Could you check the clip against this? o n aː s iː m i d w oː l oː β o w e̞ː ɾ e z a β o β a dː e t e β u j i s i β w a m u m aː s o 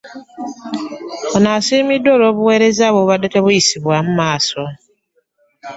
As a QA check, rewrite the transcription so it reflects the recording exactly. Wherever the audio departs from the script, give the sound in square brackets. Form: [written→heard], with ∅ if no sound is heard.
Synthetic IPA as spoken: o n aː s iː m i d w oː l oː β [o→u] w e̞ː ɾ e z a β o β a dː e t e β u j i s i β w a m u m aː s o

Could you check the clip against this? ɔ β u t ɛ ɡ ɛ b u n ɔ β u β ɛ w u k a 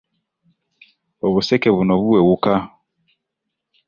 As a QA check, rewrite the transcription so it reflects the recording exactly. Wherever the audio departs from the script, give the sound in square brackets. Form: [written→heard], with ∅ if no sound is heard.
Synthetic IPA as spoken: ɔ β u [t→s] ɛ [ɡ→k] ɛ [b→β] u n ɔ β u [β→w] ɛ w u k a

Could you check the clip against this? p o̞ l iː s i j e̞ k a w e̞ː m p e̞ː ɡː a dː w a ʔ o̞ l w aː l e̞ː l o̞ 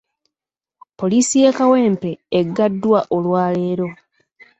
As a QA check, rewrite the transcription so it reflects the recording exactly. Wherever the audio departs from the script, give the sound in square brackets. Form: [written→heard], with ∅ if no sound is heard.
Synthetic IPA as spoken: p o̞ l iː s i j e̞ k a w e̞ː m p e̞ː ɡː a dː w a ʔ o̞ l w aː l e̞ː [l→ɾ] o̞

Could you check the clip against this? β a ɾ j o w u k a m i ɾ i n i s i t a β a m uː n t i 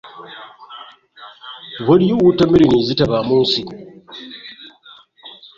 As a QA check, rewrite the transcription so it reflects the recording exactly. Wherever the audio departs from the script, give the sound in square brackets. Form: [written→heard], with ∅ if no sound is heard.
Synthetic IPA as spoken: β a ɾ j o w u [k→t] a m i ɾ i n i [s→z] i t a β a m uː n [t→s] i

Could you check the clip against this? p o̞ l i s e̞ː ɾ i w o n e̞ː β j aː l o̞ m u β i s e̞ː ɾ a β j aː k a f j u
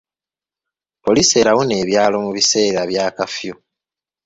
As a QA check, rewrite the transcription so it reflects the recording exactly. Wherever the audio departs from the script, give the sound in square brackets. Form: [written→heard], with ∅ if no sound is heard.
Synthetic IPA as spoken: p o̞ l i s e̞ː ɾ [i→a] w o n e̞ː β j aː l o̞ m u β i s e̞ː ɾ a β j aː k a f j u

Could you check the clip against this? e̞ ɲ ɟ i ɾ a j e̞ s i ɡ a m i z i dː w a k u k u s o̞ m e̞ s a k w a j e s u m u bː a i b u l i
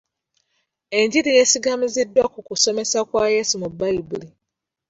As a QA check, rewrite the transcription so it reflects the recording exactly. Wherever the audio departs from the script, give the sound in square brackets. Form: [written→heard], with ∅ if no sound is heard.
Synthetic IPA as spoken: e̞ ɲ ɟ i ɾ [a→i] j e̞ s i ɡ a m i z i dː w a k u k u s o̞ m e̞ s a k w a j e s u m u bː a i b u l i

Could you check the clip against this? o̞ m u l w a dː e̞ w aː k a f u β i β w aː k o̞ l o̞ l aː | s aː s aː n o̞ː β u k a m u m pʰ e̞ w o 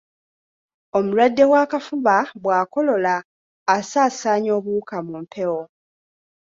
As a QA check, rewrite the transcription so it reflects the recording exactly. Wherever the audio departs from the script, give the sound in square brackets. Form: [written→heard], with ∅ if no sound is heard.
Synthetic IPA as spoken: o̞ m u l w a dː e̞ w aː k a f u β [i→a] β w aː k o̞ l o̞ l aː | s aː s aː [n→ɲ] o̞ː β u k a m u m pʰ e̞ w o

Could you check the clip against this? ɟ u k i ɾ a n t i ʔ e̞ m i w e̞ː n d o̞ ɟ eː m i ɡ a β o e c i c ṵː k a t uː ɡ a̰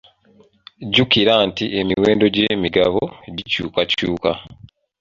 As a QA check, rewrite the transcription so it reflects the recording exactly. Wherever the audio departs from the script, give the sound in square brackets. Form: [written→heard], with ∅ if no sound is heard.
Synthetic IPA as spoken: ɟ u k i ɾ a n t i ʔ e̞ m i w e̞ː n d o̞ ɟ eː m i ɡ a β o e [c→ɟ] i c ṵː k a [t→c] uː [ɡ→k] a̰

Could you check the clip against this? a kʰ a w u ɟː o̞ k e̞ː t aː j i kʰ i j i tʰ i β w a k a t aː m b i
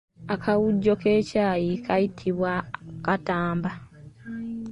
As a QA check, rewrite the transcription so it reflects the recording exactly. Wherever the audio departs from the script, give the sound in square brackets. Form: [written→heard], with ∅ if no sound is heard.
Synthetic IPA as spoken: a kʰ a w u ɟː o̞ k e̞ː [t→c] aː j i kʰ [i→a] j i tʰ i β w a k a t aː m b [i→a]

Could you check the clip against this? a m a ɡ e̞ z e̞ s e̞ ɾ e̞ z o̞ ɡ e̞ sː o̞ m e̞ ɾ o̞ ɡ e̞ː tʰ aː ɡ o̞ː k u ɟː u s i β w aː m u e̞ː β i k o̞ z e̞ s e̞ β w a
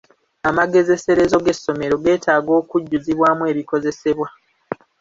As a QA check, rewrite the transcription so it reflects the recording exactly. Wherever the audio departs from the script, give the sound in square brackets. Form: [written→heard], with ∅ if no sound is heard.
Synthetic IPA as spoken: a m a ɡ e̞ z e̞ s e̞ ɾ e̞ z o̞ ɡ e̞ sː o̞ m e̞ ɾ o̞ ɡ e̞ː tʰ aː ɡ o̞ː k u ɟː u [s→z] i β w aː m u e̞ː β i k o̞ z e̞ s e̞ β w a

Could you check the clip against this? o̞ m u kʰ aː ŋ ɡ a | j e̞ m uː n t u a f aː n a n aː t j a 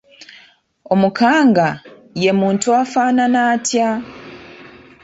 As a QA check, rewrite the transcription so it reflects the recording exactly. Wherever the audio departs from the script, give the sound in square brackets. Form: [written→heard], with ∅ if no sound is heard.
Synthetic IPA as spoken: o̞ m u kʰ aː ŋ ɡ a | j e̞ m uː n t u a f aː n a n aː t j a

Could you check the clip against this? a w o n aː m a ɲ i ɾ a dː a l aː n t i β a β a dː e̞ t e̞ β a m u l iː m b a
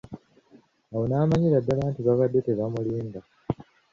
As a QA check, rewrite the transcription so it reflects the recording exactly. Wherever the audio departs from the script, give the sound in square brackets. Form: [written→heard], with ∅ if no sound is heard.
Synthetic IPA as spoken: a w o n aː m a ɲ i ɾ a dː a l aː n t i β a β a dː e̞ t e̞ β a m u l iː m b a

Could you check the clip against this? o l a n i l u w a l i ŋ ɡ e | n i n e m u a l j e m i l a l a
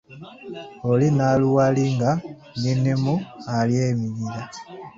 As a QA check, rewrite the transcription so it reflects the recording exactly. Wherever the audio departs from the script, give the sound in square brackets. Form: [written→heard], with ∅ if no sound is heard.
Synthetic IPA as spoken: o l [a→i] n [i→a] l u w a l i ŋ ɡ [e→a] | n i n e m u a l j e m i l [a→i] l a

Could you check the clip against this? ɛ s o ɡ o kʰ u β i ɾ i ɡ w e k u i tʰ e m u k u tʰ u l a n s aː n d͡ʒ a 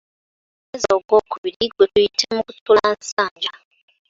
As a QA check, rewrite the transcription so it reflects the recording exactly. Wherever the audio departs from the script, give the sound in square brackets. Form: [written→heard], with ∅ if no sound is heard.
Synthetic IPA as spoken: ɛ [s→z] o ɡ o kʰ u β i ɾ i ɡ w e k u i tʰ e m u k u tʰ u l a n s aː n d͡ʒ a

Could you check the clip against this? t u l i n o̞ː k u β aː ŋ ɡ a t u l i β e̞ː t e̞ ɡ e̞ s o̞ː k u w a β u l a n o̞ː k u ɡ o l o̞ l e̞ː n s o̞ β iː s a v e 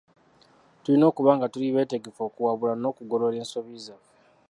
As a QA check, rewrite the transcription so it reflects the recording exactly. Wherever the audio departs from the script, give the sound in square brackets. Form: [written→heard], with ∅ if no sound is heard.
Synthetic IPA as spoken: t u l i n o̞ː k u β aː ŋ ɡ a t u l i β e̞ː t e̞ ɡ e̞ [s→f] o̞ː k u w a β u l a n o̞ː k u ɡ o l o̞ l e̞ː n s o̞ β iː [s→z] a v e

